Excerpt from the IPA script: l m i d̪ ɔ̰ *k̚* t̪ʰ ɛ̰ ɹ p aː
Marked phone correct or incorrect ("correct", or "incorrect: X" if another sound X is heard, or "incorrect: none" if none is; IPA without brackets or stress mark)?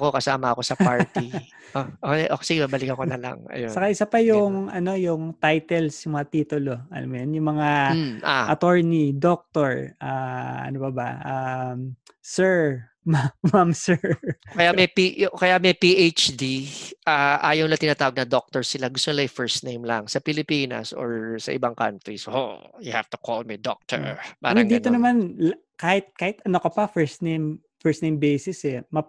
correct